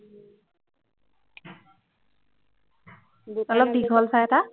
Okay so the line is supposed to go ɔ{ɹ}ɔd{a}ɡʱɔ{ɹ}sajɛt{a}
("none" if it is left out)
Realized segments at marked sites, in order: l, i, l, a

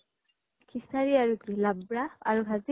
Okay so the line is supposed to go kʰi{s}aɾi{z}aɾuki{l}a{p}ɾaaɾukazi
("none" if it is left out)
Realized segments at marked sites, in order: s, none, l, b

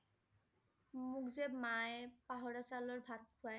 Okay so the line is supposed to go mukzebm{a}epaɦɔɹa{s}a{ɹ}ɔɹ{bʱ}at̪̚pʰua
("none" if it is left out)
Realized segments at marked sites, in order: a, s, l, bʱ

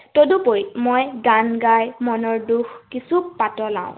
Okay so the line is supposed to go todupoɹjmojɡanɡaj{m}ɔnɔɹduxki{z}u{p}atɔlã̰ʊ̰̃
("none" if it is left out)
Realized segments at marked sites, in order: m, s, p

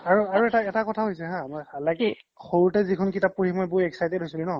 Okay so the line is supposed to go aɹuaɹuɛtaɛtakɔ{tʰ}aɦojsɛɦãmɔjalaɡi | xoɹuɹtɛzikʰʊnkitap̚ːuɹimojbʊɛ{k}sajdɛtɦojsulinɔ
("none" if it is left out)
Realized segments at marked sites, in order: tʰ, k

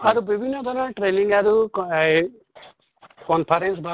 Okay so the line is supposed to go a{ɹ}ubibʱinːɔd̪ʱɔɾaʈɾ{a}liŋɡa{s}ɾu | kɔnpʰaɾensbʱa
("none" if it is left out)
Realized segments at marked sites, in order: ɾ, e, none

